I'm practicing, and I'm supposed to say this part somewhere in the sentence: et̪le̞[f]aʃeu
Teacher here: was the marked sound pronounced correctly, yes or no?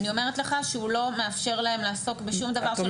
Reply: no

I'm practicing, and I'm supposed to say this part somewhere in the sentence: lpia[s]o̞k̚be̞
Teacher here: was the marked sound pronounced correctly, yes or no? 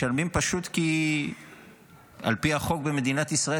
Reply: no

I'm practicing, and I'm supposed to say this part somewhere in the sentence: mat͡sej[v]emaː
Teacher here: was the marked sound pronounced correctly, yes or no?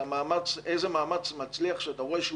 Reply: no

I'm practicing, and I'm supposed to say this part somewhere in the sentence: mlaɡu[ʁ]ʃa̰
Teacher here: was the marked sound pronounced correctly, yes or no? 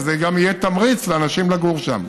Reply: yes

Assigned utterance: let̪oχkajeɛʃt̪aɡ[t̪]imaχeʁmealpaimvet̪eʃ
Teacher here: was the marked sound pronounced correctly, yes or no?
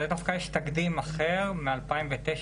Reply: no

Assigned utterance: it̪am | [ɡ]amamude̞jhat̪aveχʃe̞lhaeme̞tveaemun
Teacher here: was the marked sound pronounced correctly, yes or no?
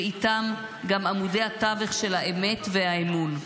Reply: yes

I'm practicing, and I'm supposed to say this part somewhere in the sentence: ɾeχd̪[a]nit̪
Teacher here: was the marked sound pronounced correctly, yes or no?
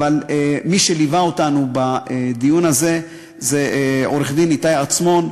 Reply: no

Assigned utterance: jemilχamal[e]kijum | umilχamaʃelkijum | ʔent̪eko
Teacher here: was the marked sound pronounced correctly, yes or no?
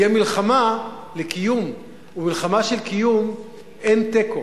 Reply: yes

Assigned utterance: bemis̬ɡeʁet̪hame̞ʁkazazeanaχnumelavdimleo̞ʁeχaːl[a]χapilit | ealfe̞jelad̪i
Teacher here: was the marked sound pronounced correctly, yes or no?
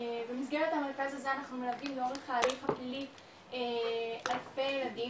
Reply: no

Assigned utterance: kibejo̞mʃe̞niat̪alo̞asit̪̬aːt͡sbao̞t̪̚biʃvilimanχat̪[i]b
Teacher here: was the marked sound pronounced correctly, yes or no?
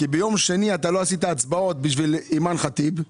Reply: yes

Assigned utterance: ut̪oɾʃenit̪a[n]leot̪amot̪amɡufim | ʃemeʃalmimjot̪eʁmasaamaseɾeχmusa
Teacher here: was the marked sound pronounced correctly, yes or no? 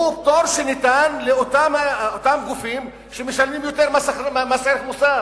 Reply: yes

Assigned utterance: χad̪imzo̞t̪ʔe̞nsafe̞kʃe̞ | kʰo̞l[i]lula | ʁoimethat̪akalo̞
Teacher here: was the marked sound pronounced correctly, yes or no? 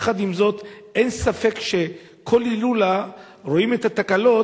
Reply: yes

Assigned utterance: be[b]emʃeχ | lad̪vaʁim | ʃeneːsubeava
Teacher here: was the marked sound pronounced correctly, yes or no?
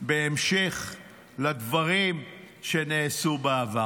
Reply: no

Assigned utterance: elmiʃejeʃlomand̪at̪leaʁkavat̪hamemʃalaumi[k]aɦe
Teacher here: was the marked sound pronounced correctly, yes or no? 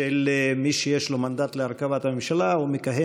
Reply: yes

